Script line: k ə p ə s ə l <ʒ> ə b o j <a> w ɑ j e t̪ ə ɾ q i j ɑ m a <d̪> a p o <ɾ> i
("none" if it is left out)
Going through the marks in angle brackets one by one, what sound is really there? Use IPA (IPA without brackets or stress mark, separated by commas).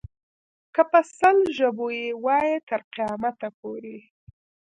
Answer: ʒ, e, t̪, ɾ